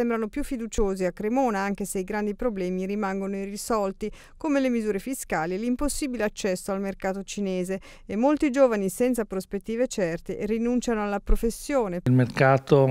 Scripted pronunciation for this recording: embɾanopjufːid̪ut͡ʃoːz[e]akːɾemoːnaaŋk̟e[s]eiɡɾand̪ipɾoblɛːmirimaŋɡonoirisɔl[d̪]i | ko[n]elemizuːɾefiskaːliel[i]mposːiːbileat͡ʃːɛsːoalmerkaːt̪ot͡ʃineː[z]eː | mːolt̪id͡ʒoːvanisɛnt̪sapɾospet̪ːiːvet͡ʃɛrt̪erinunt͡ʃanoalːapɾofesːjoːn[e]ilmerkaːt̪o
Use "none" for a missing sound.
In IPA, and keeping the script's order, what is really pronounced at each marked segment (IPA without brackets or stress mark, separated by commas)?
i, s, t̪, m, i, z, e